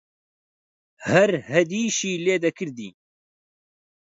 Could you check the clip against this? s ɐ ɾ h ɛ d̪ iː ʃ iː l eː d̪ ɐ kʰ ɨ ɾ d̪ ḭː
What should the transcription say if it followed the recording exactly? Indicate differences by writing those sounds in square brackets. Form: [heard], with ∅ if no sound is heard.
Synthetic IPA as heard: [h] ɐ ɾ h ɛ d̪ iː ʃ iː l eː d̪ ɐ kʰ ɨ ɾ d̪ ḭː